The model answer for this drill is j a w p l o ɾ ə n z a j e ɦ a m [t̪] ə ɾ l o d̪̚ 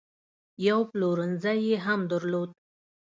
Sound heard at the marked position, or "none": d̪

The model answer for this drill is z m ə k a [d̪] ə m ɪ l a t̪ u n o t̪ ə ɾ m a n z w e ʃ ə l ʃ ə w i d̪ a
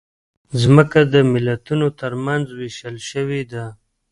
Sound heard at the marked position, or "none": d̪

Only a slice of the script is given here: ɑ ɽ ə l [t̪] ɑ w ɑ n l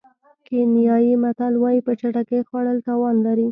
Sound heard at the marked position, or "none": t̪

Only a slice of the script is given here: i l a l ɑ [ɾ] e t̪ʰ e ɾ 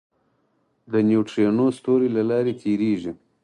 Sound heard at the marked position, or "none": ɾ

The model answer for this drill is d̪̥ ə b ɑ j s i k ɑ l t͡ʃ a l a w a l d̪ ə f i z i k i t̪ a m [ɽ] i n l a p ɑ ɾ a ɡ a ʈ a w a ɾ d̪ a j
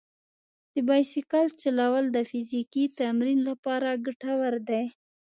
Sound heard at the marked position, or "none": ɾ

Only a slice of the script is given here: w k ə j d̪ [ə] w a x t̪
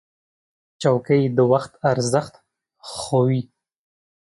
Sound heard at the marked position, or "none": ə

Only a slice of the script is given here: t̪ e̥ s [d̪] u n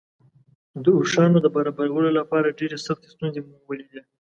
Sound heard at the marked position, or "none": t̪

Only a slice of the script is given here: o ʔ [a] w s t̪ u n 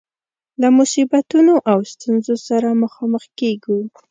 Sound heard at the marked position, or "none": a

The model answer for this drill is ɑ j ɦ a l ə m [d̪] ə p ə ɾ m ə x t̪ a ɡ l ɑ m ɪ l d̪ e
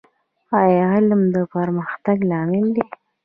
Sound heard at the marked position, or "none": d̪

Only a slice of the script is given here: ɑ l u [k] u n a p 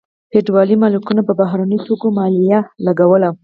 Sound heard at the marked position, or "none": k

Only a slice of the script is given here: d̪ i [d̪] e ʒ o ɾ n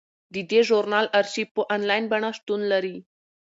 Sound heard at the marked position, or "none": d̪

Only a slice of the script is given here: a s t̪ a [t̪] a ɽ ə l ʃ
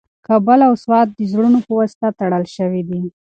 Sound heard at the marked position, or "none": t̪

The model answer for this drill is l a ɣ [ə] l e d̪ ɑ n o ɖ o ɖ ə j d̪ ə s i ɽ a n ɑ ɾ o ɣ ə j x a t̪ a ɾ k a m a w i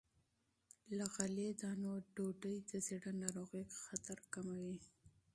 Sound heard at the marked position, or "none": a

